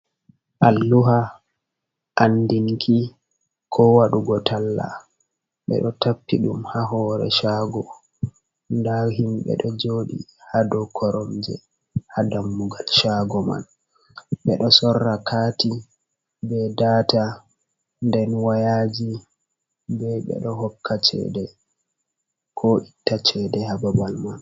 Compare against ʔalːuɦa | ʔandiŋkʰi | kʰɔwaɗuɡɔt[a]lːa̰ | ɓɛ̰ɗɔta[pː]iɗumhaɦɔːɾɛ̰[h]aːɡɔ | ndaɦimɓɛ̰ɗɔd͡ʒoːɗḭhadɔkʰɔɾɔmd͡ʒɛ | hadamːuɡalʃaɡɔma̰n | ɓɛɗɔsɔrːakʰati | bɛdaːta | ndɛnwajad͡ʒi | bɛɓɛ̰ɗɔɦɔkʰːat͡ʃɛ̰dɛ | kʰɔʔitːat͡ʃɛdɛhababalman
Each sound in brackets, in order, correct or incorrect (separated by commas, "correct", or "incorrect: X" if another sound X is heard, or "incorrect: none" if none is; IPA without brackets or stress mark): correct, correct, incorrect: ʃ